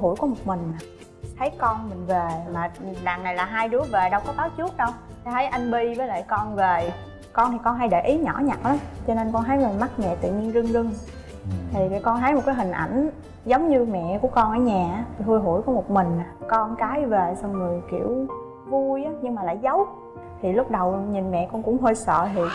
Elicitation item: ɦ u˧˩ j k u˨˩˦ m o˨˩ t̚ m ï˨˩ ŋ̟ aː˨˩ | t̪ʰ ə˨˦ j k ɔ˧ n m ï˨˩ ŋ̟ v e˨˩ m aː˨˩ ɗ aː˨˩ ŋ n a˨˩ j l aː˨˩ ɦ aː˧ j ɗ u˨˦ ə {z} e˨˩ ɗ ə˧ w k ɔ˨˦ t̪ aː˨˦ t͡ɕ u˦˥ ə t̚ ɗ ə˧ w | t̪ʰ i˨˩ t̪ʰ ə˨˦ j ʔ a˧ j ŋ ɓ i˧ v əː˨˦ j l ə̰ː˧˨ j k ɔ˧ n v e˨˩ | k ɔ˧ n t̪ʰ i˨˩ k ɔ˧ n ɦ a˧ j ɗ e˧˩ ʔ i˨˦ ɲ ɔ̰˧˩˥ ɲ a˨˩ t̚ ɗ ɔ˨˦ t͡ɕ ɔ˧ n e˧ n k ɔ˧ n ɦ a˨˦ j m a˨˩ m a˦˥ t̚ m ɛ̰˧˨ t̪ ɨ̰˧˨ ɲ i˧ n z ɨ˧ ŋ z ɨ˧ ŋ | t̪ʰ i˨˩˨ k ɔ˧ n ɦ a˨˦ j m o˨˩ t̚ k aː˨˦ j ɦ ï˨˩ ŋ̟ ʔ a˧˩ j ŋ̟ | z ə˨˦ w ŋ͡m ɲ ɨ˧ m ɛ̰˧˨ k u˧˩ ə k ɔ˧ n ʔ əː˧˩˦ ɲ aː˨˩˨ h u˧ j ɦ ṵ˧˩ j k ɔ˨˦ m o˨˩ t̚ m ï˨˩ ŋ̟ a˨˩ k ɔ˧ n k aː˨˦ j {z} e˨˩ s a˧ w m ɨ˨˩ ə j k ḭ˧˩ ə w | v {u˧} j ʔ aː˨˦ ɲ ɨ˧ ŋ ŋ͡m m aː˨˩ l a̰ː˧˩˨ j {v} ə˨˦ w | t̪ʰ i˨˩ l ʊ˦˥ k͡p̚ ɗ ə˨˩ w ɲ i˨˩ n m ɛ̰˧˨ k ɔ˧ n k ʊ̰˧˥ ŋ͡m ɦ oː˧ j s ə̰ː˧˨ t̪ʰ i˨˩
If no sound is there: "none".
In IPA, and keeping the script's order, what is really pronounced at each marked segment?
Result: v, v, u˧, z

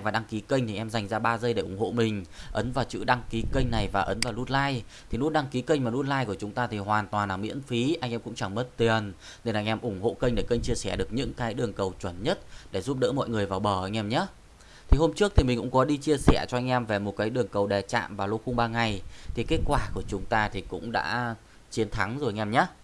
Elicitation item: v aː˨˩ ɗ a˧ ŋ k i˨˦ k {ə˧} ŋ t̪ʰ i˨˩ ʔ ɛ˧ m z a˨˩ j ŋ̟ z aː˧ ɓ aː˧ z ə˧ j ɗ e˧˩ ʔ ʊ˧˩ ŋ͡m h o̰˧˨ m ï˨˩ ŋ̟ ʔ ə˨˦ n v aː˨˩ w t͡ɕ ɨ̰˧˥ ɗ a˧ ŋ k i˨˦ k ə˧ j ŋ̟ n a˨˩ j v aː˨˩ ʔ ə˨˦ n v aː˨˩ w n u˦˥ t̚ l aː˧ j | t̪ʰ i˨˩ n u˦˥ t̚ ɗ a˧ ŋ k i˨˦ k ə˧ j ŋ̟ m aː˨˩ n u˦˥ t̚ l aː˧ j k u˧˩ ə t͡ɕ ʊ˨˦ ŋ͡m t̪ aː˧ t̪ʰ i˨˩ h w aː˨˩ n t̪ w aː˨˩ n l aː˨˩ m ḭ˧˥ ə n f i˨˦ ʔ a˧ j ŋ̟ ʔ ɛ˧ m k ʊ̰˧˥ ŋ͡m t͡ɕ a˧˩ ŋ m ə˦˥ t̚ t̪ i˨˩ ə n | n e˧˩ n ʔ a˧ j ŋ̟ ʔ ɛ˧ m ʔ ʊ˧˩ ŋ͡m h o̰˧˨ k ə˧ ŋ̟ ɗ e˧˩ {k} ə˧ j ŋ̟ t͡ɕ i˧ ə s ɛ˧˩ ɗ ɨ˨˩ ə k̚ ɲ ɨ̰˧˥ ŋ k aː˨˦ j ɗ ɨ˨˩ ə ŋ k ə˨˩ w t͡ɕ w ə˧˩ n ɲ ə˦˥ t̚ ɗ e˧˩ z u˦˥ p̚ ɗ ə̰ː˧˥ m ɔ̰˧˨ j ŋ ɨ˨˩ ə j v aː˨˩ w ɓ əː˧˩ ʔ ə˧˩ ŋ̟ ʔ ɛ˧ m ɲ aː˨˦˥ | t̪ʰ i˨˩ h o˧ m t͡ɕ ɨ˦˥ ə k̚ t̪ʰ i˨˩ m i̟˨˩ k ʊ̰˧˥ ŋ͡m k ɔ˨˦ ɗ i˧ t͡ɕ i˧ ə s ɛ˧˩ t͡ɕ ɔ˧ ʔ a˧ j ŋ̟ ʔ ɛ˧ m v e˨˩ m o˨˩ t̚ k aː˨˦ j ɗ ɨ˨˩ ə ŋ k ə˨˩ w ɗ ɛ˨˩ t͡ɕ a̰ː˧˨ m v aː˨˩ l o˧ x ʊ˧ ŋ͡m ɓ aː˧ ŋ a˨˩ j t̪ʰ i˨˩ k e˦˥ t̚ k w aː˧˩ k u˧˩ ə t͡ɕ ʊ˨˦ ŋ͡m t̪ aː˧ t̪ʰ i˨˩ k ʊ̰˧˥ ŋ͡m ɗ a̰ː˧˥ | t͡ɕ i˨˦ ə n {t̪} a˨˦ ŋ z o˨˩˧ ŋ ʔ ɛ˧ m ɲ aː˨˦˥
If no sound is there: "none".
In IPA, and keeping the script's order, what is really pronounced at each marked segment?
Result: ə˧, k, t̪ʰ

